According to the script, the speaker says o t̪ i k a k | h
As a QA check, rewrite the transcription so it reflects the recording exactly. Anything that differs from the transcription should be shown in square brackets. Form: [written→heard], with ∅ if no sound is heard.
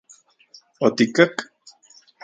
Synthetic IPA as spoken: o t̪ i k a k | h